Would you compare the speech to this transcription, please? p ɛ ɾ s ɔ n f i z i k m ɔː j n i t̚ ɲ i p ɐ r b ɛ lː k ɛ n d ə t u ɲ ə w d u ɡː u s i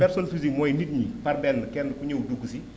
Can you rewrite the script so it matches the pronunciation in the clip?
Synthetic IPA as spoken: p ɛ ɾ s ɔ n f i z i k m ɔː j n i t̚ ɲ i p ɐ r b ɛ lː k ɛ n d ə k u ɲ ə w d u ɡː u s i